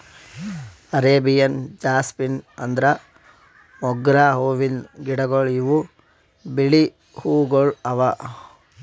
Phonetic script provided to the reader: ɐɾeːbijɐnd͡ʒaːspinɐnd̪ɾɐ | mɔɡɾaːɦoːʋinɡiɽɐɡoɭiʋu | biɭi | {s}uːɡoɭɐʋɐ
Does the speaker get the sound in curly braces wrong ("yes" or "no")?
yes